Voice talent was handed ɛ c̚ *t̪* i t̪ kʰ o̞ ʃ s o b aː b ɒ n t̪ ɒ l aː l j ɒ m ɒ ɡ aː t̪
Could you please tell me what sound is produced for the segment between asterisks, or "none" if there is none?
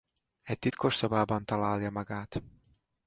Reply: t̪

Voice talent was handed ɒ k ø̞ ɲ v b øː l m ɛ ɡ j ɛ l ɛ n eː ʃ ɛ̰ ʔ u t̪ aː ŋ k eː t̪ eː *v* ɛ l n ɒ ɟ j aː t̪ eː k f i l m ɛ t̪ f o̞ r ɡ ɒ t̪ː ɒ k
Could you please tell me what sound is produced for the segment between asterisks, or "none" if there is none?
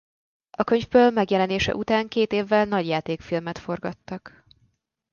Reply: vː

